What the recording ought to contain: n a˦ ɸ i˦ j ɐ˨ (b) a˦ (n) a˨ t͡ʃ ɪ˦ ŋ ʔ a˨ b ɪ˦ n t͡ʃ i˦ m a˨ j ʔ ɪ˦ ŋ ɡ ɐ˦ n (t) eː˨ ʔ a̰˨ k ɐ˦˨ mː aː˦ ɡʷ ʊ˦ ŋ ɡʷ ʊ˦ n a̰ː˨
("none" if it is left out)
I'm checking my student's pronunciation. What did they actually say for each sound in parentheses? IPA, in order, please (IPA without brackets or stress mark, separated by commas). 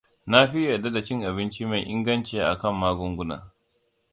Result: d, d, t͡ʃ